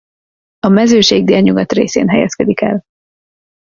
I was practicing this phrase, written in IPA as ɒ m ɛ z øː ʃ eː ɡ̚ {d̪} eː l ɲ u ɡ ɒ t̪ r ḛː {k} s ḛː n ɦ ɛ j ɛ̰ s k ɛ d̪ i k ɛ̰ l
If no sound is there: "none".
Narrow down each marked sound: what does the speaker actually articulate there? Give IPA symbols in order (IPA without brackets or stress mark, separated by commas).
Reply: d̪, none